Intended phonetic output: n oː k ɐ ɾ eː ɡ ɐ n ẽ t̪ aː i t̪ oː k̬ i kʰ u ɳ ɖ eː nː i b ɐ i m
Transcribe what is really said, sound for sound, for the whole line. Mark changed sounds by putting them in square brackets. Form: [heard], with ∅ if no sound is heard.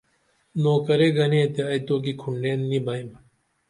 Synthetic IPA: n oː k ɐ ɾ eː ɡ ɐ n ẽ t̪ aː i t̪ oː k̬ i kʰ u ɳ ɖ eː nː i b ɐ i m